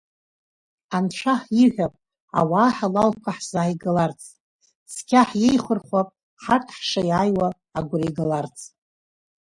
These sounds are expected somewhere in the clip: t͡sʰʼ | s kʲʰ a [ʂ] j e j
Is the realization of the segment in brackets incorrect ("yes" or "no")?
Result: yes